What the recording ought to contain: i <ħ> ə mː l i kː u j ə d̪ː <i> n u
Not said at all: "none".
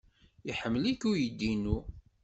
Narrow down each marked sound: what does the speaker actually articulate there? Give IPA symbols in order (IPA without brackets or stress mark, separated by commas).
ħ, i